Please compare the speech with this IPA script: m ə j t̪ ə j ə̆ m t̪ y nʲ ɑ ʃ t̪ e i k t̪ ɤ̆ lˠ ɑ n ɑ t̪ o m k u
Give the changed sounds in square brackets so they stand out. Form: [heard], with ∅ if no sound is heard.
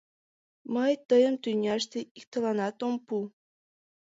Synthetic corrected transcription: m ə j t̪ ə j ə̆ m t̪ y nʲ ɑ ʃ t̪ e i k t̪ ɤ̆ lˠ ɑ n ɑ t̪ o m [p] u